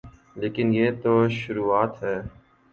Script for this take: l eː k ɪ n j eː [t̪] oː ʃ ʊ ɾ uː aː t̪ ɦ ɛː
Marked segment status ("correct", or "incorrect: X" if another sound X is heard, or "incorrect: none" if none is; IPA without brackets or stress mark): correct